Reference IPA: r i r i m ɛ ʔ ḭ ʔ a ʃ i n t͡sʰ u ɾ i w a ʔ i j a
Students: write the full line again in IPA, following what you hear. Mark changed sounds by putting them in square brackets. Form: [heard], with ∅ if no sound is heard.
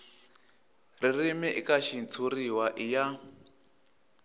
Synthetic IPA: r i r i m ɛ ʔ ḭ [k] a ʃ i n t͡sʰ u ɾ i w a ʔ i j a

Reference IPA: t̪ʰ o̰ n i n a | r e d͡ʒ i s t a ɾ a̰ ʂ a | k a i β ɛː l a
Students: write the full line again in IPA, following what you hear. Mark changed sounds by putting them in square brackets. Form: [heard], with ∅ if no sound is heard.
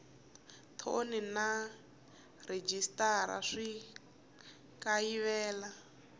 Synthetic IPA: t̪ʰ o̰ n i n a | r e d͡ʒ i s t a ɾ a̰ ʂ [i] | k a i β ɛː l a

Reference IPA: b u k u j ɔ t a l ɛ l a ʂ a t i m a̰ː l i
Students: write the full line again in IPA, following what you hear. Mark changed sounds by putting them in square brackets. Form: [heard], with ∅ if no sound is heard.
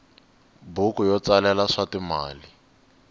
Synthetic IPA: b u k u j ɔ [t͡s] a l ɛ l a ʂ a t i m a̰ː l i

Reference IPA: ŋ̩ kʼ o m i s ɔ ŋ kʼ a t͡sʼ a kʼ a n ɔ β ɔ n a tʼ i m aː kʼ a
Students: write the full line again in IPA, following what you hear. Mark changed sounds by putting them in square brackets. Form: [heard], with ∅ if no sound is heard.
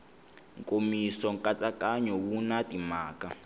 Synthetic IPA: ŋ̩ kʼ o m i s ɔ ŋ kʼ a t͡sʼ a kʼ a [ɲ] ɔ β [u] n a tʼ i m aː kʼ a

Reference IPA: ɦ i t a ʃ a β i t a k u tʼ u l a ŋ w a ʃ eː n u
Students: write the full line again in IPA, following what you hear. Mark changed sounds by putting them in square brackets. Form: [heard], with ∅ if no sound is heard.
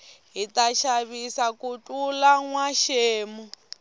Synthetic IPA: ɦ i t a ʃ a β i [s] a k u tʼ u l a ŋ w a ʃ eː [m] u

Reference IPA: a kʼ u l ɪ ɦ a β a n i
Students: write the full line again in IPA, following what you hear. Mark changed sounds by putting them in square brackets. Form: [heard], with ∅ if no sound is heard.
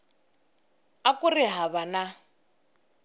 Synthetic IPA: a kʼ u [r] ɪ ɦ a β a n [a]

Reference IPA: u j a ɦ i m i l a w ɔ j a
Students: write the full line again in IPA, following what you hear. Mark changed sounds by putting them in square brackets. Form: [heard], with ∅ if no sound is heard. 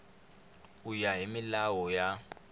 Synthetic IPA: u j a ɦ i m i l a w ɔ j a

